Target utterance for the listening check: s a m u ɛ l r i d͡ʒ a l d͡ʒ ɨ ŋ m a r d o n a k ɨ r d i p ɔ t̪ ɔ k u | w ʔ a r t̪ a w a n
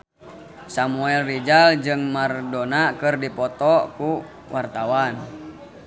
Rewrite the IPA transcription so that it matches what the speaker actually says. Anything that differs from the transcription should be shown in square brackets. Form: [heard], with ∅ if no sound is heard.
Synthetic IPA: s a m u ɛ l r i d͡ʒ a l d͡ʒ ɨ ŋ m a r d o n a k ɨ r d i p ɔ t̪ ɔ k u | w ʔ a r t̪ a w a n